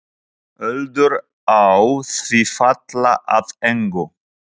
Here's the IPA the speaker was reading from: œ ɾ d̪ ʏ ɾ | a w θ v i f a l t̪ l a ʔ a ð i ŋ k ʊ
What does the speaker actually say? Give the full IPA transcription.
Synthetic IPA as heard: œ l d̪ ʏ ɾ | a w θ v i f a t̪ l a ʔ a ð ɛ ŋ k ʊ